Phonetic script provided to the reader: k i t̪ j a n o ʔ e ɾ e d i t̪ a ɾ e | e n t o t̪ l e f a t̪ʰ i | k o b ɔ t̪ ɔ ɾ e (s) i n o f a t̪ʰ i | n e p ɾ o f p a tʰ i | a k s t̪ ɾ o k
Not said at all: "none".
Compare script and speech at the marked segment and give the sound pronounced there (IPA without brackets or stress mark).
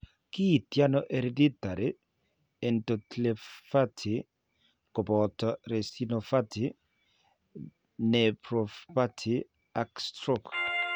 s